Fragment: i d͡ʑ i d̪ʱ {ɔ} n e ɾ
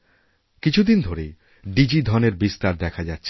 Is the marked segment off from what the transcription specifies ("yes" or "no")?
no